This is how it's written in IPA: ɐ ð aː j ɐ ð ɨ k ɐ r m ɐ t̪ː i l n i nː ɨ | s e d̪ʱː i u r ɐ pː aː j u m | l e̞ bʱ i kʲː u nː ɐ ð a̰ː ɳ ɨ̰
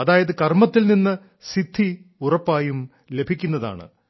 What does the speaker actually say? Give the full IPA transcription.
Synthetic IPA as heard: ɐ ð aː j ɐ ð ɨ k ɐ r m ɐ t̪ː i l n i nː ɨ | s i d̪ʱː i u r ɐ pː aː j u m | l e̞ bʱ i kʲː u nː ɐ ð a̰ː ɳ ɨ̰